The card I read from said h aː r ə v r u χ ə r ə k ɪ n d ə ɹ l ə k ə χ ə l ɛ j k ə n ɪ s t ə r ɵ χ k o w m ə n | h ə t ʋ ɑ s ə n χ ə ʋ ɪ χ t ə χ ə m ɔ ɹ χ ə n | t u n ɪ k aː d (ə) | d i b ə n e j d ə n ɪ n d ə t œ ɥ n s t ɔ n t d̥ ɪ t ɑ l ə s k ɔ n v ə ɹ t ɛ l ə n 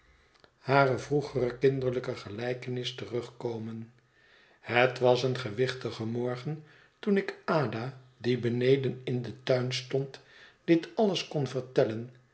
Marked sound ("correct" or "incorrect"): incorrect